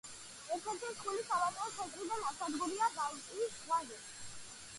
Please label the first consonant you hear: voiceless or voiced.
voiced